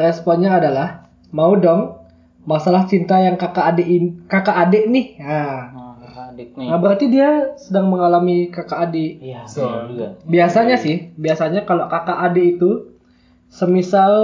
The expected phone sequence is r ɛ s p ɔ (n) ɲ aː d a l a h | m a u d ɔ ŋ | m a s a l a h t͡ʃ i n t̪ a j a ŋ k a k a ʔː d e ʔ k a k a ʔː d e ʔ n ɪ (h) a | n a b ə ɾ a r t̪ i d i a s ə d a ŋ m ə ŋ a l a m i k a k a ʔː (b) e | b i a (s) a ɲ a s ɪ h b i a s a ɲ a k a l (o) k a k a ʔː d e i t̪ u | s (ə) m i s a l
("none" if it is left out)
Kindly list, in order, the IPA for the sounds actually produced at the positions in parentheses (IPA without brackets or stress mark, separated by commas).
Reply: n, h, d, s, o, ə